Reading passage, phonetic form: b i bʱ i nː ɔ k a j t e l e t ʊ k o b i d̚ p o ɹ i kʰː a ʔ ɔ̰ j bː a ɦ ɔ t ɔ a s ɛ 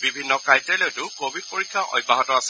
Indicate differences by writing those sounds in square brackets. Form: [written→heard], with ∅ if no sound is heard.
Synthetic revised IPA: b i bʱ i nː ɔ k a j t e l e t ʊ k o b i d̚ p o ɹ i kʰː a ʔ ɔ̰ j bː a ɦ ɔ t ɔ a s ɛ